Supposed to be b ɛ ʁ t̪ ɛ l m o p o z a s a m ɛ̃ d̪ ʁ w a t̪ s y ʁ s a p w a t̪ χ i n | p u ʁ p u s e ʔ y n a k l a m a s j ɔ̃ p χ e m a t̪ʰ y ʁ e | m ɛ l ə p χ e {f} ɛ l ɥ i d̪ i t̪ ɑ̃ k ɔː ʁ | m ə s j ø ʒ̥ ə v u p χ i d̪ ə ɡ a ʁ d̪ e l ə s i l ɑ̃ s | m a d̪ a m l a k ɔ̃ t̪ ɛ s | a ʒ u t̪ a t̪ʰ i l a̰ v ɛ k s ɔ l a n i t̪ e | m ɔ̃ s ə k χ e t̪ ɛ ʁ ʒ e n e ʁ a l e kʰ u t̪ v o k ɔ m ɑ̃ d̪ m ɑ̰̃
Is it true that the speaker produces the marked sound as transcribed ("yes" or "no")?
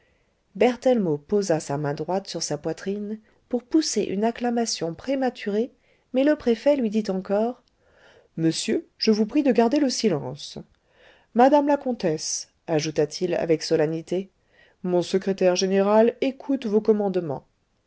yes